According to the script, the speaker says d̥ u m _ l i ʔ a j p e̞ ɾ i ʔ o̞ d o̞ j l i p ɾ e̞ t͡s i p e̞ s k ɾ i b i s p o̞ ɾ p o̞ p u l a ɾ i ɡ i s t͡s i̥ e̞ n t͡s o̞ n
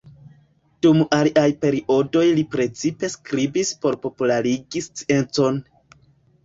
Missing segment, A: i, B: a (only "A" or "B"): B